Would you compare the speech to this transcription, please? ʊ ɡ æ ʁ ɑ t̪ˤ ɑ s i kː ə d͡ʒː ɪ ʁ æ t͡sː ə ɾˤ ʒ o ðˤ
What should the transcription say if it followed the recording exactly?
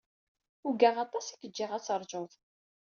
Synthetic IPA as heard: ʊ ɡ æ ʁ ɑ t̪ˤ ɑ s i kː ə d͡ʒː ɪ ʁ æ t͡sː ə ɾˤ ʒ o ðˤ